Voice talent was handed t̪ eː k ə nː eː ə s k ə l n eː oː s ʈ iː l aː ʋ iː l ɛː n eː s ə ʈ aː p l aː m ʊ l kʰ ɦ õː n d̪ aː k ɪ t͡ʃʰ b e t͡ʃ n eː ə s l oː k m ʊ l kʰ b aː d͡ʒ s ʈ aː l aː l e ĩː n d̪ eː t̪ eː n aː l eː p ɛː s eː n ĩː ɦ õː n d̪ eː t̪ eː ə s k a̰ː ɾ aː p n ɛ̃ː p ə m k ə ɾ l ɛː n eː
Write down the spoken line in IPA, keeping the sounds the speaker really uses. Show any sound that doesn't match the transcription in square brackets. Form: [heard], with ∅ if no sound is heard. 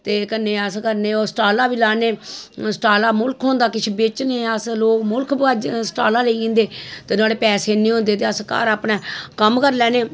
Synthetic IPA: t̪ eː k ə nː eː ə s k ə [ɾ] n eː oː s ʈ [aː] l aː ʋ iː l [aː] n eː s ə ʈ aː [∅] l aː m ʊ l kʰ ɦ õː n d̪ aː k ɪ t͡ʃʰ b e t͡ʃ n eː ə s l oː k m ʊ l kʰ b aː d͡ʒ s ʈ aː l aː l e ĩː n d̪ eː t̪ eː n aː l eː p ɛː s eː n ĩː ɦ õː n d̪ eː t̪ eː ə s k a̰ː ɾ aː p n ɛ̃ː [k] ə m k ə ɾ l ɛː n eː